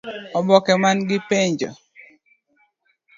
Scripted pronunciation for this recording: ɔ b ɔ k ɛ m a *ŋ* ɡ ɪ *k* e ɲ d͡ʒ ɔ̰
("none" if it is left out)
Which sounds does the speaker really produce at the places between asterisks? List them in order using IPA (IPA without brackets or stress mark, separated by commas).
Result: n, p